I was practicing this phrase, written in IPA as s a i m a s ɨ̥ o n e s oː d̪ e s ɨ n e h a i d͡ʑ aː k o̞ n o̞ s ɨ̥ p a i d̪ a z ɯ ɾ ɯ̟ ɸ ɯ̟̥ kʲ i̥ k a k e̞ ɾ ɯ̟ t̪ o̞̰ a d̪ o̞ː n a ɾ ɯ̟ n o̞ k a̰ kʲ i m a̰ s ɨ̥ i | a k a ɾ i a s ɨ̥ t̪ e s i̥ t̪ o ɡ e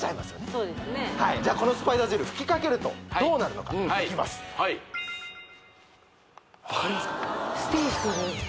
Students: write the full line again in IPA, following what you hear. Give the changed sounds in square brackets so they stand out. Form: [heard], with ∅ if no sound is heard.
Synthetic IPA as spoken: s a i m a s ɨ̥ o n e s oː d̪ e s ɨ n e h a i d͡ʑ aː k o̞ n o̞ s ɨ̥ p a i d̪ a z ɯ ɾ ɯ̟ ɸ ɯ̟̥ kʲ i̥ k a k e̞ ɾ ɯ̟ t̪ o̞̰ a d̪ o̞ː n a ɾ ɯ̟ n o̞ k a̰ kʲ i m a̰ s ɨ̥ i | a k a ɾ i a s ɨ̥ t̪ e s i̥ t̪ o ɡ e